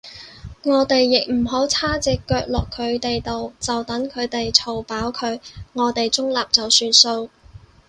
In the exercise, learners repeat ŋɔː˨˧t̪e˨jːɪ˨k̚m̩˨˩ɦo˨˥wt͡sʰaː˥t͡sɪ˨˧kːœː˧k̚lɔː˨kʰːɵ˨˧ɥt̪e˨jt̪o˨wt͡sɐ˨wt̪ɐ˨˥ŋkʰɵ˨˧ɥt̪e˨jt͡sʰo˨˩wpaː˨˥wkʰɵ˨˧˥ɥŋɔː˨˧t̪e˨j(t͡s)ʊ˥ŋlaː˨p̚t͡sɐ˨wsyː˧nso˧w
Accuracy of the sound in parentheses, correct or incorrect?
correct